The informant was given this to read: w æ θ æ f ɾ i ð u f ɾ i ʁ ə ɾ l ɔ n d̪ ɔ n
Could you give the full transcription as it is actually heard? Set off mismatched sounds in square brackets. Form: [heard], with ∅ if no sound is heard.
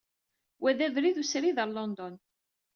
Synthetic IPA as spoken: w æ [ð] æ [v] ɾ i ð u [s] ɾ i [ð] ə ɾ l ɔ n d̪ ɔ n